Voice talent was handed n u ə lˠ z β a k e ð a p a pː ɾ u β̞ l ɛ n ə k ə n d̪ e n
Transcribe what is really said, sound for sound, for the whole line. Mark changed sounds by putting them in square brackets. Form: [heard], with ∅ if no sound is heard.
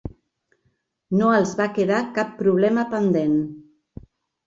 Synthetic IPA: n [o] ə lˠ z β a k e ð a [k] a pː ɾ u β̞ l ɛ [m] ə [p] ə n d̪ e n